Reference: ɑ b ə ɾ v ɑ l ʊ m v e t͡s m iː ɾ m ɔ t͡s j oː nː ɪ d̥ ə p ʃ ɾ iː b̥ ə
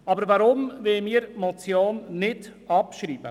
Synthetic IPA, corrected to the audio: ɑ b ə ɾ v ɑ ɾ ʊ m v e m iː ɾ m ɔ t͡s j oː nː ɪ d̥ ɑ p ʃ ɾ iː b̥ ə